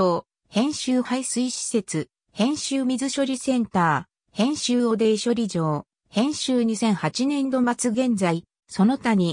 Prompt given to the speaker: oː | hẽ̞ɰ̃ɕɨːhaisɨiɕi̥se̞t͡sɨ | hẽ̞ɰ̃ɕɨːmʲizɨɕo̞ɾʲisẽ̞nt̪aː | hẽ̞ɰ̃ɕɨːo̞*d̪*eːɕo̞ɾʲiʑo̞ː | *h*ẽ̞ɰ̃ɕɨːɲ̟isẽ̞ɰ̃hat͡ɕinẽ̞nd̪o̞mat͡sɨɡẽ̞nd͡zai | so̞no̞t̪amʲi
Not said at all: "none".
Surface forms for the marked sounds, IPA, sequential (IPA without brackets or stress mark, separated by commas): d̪, h